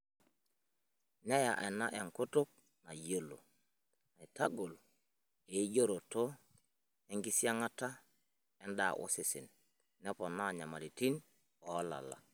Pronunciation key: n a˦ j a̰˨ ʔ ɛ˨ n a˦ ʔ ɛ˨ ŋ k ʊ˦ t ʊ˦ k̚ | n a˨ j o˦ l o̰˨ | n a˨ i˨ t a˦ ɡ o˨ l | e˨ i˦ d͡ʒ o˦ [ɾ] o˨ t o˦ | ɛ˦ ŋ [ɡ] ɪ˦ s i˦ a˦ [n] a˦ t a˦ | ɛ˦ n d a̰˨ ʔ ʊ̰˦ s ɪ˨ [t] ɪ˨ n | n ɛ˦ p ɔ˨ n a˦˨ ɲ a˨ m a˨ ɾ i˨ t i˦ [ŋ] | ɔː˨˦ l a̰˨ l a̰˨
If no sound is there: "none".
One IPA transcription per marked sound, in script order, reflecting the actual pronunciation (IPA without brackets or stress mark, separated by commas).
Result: ɾ, ɡ, ŋ, s, n